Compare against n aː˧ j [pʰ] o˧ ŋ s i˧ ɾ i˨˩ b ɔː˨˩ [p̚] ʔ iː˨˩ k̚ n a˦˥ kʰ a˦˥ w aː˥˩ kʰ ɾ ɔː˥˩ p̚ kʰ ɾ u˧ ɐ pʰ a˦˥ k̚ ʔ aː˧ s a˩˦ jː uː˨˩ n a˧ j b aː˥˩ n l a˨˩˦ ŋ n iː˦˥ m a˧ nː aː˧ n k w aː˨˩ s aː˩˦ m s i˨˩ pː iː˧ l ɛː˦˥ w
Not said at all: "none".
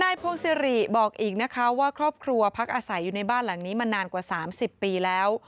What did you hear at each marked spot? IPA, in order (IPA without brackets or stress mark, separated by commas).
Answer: pʰ, k̚